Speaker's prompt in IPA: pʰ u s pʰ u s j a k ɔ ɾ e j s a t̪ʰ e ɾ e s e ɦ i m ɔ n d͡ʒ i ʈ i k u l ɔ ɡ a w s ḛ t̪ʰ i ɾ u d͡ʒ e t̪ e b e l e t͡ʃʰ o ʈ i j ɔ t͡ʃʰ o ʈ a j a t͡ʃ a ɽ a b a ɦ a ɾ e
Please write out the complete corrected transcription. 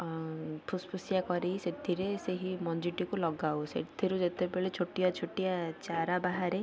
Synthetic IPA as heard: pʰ u s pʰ u s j a k ɔ ɾ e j s e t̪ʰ i ɾ e s e ɦ i m ɔ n d͡ʒ i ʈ i k u l ɔ ɡ a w s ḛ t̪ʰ i ɾ u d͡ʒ e t̪ e b e ɭ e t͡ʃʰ o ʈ i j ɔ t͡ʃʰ o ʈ i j a t͡ʃ a ɾ a b a ɦ a ɾ e